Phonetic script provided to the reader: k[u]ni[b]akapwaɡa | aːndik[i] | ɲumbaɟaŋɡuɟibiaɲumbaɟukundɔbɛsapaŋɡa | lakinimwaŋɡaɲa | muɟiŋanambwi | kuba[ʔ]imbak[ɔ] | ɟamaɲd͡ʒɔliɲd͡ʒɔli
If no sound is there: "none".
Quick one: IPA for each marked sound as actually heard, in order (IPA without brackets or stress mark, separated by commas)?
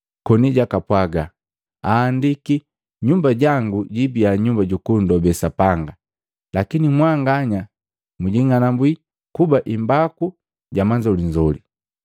ɔ, ɟ, i, ʔ, u